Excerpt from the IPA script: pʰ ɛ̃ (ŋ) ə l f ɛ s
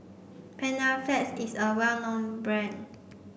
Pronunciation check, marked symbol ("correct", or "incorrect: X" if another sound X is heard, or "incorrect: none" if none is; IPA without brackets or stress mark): incorrect: n